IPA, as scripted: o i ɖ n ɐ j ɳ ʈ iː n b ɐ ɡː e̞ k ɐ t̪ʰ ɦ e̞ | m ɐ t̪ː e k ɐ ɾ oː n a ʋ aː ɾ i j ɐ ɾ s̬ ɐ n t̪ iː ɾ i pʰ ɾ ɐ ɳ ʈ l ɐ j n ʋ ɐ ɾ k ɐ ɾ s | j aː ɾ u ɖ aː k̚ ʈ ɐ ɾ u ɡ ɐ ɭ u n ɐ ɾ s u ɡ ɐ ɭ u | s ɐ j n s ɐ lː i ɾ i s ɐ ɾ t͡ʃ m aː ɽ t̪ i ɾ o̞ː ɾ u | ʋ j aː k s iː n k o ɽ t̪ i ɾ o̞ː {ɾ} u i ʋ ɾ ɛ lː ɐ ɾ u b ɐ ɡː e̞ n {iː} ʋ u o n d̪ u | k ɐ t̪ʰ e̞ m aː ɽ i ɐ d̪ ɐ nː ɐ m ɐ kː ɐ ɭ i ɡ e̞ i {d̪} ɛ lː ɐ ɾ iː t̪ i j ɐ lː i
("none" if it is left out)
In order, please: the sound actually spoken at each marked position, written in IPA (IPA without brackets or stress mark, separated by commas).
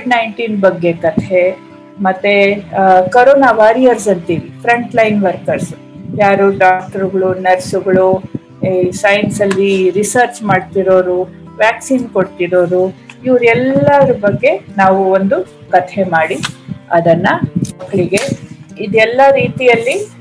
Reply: ɾ, aː, d̪